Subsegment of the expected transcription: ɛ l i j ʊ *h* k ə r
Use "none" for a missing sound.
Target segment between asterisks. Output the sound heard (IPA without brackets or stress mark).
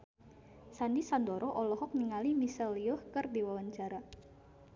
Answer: h